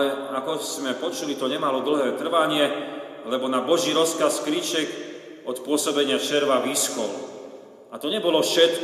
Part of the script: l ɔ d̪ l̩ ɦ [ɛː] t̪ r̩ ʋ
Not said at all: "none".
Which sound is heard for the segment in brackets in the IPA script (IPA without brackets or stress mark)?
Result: ɛː